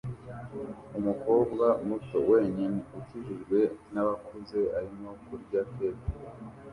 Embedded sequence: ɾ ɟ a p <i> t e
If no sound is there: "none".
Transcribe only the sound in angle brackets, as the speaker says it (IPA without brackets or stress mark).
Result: e